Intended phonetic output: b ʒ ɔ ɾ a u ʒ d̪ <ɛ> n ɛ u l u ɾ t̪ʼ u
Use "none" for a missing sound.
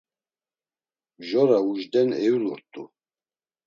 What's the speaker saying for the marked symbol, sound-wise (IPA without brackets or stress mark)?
ɛ